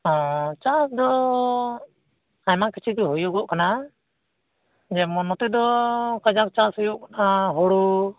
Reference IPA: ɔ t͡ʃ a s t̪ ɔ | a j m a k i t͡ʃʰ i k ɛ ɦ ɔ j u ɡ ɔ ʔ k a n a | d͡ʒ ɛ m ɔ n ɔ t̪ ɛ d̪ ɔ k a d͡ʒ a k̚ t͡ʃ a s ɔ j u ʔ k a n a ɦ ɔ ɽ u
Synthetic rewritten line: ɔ t͡ʃ a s d̪ ɔ | a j m a k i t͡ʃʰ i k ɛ ɦ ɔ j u ɡ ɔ ʔ k a n a | d͡ʒ ɛ m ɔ n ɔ t̪ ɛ d̪ ɔ k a d͡ʒ a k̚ t͡ʃ a s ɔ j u ʔ k a n a ɦ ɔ ɽ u